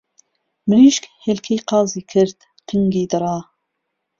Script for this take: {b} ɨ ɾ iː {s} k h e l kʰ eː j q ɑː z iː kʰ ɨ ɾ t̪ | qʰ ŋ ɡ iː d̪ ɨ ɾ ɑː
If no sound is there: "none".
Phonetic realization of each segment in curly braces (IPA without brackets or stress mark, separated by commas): m, ʃ